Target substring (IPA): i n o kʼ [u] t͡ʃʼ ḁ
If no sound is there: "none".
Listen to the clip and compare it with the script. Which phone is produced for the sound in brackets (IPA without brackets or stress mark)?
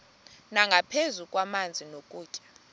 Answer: uː